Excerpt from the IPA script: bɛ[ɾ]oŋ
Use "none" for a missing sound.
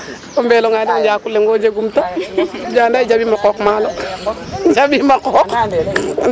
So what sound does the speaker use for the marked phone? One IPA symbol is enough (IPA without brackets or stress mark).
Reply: l